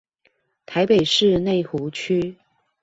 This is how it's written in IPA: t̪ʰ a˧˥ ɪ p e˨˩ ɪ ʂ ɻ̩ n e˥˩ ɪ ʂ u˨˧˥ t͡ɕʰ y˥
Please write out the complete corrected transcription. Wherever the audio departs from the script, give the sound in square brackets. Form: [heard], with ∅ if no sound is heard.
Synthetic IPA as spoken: t̪ʰ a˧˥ ɪ p e˨˩ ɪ ʂ ɻ̩ n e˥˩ ɪ [x] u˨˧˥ t͡ɕʰ y˥